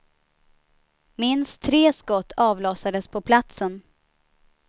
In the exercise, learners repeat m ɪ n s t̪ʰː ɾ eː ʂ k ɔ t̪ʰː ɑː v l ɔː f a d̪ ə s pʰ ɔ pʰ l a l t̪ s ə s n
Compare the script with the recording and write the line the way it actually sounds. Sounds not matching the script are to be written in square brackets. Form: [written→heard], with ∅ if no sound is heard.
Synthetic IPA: m ɪ n s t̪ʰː ɾ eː [ʂ→s] k ɔ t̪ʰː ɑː v l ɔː [f→s] a d̪ ə s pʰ ɔ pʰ l a [l→∅] t̪ s ə [s→∅] n